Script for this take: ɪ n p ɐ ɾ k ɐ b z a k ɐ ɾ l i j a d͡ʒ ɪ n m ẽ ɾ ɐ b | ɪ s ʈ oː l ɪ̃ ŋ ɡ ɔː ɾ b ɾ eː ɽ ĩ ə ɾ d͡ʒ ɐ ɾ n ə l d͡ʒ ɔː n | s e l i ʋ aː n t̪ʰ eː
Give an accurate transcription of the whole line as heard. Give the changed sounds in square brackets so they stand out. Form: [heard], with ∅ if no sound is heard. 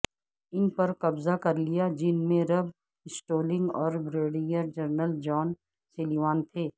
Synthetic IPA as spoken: ɪ n p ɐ ɾ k ɐ b z a k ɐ ɾ l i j a d͡ʒ ɪ n m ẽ ɾ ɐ b | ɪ s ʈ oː l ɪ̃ ŋ ɡ ɔː ɾ b ɾ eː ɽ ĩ ə ɾ d͡ʒ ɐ ɾ n ə l d͡ʒ ɔː n | s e l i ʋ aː n t̪ʰ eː

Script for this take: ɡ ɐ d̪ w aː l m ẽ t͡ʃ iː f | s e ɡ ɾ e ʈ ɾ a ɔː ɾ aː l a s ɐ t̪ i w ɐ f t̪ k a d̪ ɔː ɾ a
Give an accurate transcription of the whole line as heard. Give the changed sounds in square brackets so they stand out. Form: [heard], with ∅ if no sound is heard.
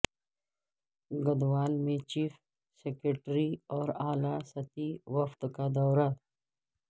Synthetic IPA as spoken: ɡ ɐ d̪ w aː l m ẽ t͡ʃ iː f | s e [k] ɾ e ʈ ɾ [i] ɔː ɾ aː l a s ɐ t̪ i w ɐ f t̪ k a d̪ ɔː ɾ a

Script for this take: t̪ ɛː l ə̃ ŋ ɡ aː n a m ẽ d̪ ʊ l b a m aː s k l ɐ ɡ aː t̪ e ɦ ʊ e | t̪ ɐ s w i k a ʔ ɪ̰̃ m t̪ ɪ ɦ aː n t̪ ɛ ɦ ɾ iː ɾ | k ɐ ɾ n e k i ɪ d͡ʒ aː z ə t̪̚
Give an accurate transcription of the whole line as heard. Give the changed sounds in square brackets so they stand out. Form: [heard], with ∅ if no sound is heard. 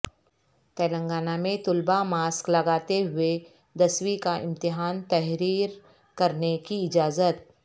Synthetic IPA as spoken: t̪ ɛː l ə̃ ŋ ɡ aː n a m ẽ [t̪] ʊ l b a m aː s k l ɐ ɡ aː t̪ e ɦ ʊ e | [d̪] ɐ s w i k a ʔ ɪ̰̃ m t̪ ɪ ɦ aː n t̪ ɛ ɦ ɾ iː ɾ | k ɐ ɾ n e k i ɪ d͡ʒ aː z ə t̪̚

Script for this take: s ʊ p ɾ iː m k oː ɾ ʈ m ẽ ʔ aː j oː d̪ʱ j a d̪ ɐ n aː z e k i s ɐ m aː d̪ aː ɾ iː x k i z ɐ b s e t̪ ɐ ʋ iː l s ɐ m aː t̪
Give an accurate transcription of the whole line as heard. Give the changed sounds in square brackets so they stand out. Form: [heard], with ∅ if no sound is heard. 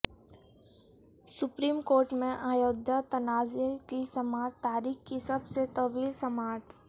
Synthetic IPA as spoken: s ʊ p ɾ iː m k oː ɾ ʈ m ẽ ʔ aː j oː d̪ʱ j a [t̪] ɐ n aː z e k i s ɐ m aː [t̪] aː ɾ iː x k i [s] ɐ b s e t̪ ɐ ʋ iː l s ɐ m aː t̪

